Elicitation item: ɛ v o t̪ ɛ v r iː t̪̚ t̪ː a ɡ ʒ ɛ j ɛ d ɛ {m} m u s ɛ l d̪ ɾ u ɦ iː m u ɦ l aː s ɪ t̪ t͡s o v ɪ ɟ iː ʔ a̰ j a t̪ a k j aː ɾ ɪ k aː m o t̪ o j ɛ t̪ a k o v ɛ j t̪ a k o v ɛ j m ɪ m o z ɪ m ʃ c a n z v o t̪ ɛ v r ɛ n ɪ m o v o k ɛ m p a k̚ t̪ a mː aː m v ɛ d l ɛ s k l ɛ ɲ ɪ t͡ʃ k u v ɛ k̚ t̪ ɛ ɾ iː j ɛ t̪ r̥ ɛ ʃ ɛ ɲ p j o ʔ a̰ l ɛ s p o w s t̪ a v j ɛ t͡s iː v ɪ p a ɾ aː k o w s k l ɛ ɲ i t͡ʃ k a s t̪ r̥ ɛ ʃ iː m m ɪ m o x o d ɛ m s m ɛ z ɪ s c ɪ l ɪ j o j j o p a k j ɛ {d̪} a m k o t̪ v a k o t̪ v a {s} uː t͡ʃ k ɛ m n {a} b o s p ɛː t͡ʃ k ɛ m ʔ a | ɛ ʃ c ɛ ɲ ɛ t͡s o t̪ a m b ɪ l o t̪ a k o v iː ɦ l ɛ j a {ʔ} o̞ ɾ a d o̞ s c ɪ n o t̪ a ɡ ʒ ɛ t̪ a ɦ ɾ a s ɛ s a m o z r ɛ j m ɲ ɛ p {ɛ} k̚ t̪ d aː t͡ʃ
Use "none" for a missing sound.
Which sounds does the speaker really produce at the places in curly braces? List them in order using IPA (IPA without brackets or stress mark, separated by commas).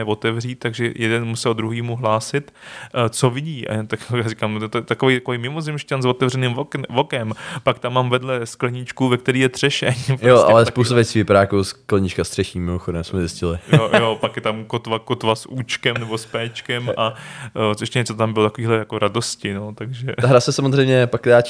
n, t̪, s, ɛ, k, a